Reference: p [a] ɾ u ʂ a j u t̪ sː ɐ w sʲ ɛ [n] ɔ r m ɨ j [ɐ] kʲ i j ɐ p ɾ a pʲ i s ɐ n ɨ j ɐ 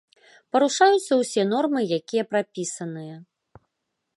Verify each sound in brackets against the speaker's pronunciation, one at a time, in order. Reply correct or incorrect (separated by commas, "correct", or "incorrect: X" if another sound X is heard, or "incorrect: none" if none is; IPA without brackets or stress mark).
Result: incorrect: ɐ, correct, incorrect: a